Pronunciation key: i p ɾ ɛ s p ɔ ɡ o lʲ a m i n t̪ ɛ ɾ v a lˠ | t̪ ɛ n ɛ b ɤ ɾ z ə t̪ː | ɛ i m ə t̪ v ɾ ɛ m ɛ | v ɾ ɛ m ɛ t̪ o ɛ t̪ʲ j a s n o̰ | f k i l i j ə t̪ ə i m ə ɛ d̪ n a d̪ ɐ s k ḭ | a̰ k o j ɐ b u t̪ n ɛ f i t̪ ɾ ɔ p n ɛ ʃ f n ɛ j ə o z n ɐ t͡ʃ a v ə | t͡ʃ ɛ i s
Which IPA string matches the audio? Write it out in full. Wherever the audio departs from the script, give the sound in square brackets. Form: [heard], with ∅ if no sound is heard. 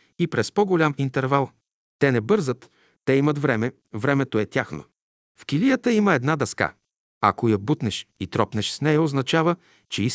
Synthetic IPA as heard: i p ɾ ɛ s p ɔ ɡ o lʲ a m i n t̪ ɛ ɾ v a lˠ | t̪ ɛ n ɛ b ɤ ɾ z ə t̪ː | ɛ i m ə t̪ v ɾ ɛ m ɛ | v ɾ ɛ m ɛ t̪ o ɛ t̪ʲ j a [x] n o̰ | f k i l i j ə t̪ ə i m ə ɛ d̪ n a d̪ ɐ s k [a̰] | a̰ k o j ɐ b u t̪ n ɛ [ʃ] i t̪ ɾ ɔ p n ɛ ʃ [s] n ɛ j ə o z n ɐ t͡ʃ a v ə | t͡ʃ ɛ i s